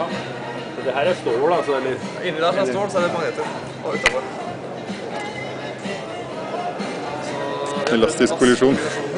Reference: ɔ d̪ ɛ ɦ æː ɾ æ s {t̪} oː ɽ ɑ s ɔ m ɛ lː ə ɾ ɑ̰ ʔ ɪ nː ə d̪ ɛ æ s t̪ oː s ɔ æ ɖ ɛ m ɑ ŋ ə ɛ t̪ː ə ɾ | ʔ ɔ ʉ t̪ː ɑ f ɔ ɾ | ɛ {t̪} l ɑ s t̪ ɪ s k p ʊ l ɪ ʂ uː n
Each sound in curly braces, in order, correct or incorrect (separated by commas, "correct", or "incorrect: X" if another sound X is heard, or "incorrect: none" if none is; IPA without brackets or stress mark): correct, incorrect: none